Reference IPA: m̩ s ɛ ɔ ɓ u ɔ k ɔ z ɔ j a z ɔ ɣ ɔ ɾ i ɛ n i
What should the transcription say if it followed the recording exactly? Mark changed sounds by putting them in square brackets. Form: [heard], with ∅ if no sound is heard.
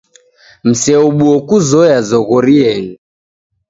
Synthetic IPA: m̩ s ɛ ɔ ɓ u ɔ k [u] z ɔ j a z ɔ ɣ ɔ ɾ i ɛ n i